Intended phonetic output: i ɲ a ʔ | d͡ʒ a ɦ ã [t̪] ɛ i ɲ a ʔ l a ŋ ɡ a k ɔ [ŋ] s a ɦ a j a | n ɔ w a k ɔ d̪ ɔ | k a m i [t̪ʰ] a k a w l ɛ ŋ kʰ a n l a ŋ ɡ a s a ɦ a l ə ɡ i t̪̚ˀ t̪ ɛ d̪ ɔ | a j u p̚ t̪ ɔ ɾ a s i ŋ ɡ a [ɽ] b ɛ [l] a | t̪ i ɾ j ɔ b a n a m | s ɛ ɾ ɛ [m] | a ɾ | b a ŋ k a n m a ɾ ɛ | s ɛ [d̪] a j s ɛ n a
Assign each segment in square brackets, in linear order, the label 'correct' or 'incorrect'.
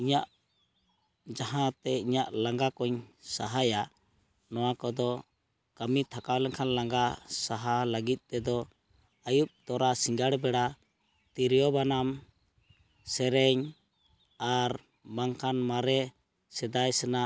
correct, incorrect: ɲ, correct, correct, incorrect: ɽ, incorrect: ɲ, correct

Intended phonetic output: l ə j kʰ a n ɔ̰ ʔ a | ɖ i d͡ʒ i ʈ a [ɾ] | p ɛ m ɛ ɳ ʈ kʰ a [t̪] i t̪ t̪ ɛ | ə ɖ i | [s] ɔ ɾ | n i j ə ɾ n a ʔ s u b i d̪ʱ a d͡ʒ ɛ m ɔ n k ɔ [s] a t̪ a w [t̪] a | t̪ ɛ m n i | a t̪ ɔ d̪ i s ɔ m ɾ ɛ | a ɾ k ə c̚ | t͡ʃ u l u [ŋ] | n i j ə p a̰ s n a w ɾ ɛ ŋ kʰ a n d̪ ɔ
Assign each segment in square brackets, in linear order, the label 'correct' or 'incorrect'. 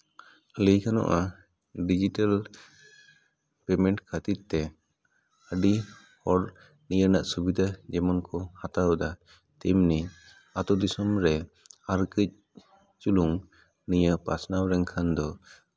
incorrect: l, correct, incorrect: h, incorrect: h, incorrect: d̪, correct

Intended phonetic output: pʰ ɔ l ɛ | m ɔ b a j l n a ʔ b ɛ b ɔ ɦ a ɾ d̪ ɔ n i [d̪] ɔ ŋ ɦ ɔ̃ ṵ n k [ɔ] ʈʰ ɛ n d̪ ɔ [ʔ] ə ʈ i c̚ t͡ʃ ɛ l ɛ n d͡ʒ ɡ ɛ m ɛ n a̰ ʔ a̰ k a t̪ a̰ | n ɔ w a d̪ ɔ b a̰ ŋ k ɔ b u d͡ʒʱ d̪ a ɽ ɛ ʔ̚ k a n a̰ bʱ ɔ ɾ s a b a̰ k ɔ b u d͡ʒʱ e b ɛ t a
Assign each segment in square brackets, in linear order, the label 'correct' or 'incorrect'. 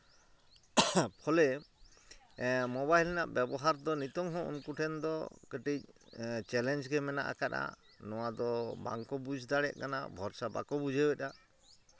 incorrect: t̪, incorrect: u, incorrect: k

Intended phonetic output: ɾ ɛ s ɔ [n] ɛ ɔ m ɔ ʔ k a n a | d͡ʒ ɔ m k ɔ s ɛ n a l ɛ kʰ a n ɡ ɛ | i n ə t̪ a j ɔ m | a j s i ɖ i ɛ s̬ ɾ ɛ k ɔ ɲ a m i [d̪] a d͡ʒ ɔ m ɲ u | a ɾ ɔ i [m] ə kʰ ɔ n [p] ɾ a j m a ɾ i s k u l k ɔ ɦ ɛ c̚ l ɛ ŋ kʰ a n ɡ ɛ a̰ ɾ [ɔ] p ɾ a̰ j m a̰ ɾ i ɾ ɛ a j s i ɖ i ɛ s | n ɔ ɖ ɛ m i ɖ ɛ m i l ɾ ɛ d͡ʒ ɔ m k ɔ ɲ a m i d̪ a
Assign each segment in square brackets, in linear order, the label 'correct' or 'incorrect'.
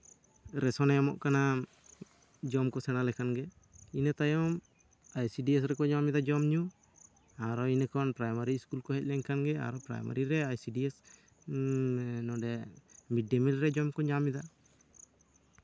correct, correct, incorrect: n, correct, correct

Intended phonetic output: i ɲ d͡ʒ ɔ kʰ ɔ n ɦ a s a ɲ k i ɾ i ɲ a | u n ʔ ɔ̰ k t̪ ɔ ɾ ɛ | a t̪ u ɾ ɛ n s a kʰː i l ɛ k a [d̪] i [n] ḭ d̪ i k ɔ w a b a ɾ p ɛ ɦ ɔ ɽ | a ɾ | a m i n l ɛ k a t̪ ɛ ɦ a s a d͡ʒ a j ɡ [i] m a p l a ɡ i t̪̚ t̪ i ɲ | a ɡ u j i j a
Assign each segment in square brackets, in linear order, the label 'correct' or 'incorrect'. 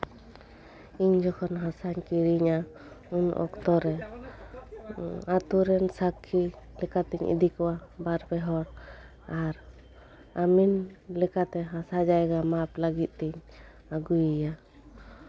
incorrect: t̪, incorrect: ɲ, incorrect: a

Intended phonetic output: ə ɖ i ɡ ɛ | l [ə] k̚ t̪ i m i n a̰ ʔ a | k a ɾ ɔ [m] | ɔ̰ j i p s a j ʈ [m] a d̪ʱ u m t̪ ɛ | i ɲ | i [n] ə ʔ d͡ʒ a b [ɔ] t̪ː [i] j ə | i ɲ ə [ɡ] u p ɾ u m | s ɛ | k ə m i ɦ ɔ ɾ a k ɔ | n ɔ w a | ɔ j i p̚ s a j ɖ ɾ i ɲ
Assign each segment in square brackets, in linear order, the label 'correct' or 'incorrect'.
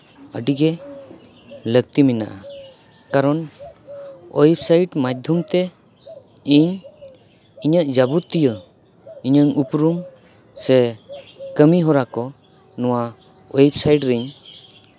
correct, incorrect: n, correct, incorrect: ɲ, incorrect: u, correct, incorrect: ŋ

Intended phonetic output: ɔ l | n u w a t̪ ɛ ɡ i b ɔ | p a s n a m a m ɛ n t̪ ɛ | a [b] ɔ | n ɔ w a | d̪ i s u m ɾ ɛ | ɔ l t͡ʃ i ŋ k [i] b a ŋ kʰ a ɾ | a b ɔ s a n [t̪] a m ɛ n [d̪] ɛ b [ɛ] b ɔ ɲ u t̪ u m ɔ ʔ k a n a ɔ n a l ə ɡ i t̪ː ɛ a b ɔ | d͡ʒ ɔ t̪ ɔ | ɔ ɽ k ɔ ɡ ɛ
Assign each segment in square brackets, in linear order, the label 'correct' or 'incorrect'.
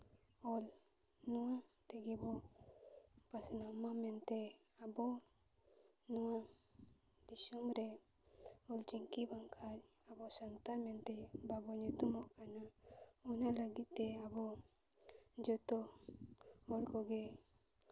correct, correct, correct, incorrect: t̪, incorrect: a

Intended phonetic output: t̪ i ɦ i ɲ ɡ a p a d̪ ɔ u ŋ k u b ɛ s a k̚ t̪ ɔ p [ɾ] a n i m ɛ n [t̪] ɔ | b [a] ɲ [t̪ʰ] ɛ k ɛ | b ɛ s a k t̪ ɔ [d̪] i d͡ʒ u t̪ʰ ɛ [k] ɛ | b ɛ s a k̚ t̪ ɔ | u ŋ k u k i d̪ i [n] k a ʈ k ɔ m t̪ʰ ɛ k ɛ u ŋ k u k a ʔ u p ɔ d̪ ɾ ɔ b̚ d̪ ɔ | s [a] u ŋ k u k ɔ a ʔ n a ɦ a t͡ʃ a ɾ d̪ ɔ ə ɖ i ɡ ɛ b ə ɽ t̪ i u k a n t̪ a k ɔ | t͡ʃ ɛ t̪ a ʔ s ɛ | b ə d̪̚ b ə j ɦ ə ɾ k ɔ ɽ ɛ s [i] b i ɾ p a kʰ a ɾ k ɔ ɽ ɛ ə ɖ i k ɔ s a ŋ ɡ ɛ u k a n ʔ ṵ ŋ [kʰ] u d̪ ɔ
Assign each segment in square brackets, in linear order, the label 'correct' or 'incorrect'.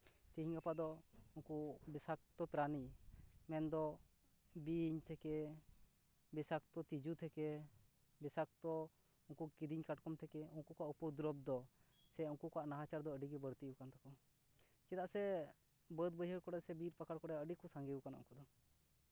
correct, incorrect: d̪, incorrect: i, correct, incorrect: t̪, correct, incorrect: ɲ, incorrect: ɛ, incorrect: ɛ, incorrect: k

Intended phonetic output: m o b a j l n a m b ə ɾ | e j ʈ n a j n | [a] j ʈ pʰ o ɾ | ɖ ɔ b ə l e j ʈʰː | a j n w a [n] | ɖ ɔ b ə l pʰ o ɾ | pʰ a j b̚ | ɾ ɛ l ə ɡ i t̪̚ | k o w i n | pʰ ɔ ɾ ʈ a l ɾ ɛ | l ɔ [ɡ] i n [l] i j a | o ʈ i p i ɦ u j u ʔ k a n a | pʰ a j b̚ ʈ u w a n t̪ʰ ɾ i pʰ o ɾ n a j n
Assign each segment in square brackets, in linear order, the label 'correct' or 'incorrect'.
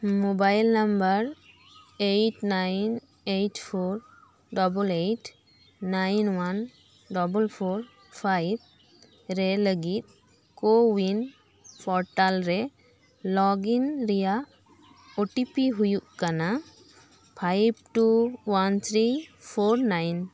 incorrect: e, correct, correct, incorrect: ɾ

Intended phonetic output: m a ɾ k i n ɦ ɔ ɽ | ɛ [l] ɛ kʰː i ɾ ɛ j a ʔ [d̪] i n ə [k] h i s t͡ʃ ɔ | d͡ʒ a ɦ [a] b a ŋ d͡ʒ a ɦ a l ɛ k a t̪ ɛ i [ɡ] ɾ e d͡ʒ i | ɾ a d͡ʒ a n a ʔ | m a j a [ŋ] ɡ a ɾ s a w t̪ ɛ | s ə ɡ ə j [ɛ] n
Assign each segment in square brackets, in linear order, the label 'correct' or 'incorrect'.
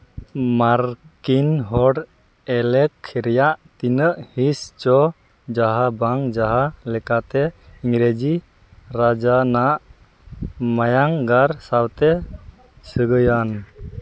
correct, incorrect: t̪, incorrect: ʔ, correct, incorrect: ŋ, correct, incorrect: a

